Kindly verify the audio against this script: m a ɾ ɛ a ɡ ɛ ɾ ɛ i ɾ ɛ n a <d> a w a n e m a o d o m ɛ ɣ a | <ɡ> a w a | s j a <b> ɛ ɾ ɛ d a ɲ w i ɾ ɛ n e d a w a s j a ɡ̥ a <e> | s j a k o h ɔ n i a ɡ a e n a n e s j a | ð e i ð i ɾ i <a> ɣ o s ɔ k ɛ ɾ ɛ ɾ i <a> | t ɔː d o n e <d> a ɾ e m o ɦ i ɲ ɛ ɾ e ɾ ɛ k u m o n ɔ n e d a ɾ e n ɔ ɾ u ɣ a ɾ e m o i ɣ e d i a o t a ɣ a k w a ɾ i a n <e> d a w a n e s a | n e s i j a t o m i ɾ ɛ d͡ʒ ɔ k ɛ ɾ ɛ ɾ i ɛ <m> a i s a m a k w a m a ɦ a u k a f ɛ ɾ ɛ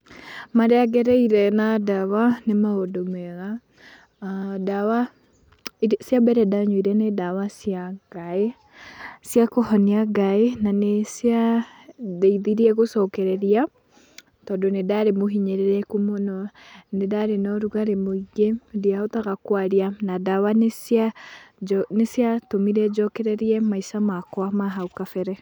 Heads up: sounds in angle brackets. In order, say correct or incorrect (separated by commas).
correct, incorrect, correct, correct, incorrect, correct, correct, incorrect, correct